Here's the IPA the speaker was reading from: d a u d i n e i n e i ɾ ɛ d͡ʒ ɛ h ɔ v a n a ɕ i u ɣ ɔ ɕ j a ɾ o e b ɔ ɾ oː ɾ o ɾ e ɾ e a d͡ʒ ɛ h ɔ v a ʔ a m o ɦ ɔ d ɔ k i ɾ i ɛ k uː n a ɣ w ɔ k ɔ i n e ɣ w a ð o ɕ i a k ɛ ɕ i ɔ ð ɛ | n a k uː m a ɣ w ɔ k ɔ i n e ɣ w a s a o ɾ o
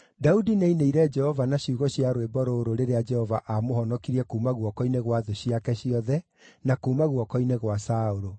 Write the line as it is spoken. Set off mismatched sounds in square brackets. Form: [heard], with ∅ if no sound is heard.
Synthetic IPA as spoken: d a u d i n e i n e i ɾ ɛ d͡ʒ ɛ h ɔ v a n a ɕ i u ɣ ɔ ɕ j a ɾ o e b ɔ ɾ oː ɾ o ɾ e ɾ e a d͡ʒ ɛ h ɔ v a ʔ a m o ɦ ɔ [n] ɔ k i ɾ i ɛ k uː [m] a ɣ w ɔ k ɔ i n e ɣ w a ð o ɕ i a k ɛ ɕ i ɔ ð ɛ | n a k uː m a ɣ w ɔ k ɔ i n e ɣ w a s a o ɾ o